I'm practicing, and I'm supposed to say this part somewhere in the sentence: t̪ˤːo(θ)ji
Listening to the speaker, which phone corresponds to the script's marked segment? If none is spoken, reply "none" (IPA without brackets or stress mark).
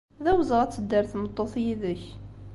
θ